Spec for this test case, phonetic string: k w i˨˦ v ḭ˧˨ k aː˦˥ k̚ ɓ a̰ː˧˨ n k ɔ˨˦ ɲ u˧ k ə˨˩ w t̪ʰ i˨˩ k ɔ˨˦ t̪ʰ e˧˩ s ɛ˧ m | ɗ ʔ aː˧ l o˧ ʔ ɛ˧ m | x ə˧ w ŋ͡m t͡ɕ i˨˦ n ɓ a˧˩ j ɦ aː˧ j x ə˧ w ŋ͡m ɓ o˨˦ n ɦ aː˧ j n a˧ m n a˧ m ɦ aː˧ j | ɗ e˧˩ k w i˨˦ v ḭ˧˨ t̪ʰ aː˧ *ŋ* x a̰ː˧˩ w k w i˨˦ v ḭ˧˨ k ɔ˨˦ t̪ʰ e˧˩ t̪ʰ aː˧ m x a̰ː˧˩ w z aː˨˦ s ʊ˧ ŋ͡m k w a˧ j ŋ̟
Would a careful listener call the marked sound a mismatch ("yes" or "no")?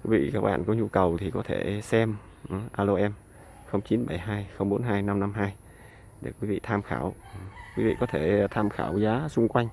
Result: yes